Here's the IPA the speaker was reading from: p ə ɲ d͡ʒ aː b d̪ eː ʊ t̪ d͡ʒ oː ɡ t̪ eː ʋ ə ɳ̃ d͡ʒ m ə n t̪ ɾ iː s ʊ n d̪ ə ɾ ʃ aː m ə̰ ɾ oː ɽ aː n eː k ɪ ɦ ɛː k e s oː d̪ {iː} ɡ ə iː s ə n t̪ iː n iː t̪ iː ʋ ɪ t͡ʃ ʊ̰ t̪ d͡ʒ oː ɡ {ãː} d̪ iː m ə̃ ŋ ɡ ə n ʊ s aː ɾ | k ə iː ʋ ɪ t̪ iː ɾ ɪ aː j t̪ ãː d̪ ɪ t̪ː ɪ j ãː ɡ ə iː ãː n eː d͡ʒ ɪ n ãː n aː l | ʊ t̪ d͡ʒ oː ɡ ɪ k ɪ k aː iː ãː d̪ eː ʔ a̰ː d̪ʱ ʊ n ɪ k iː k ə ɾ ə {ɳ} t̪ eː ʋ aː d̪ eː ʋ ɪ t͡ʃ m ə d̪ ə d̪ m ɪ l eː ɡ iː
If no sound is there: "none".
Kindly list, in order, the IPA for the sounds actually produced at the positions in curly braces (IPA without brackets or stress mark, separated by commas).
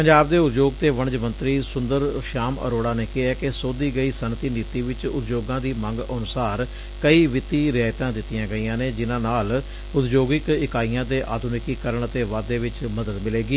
iː, ãː, ɳ